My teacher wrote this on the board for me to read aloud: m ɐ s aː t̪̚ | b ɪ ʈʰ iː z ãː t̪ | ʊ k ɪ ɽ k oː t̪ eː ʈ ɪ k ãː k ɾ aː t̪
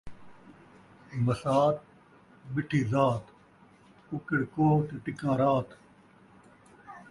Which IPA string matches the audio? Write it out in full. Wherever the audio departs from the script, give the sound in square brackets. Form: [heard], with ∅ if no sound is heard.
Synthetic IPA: m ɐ s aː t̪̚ | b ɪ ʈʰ iː z [aː] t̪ | ʊ k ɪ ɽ k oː t̪ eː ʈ ɪ k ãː [∅] ɾ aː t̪